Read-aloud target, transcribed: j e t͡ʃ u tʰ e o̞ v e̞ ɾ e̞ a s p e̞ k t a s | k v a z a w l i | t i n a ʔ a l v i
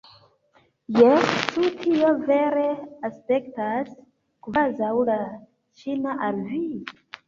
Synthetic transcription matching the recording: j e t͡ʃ u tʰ i o̞ v e̞ ɾ e̞ a s p e̞ k t a s | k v a z a w l a | t͡ʃ i n a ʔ a l v i